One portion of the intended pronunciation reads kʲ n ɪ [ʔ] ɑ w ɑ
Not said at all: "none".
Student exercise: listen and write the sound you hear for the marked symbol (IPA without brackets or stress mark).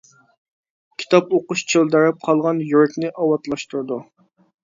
ʔ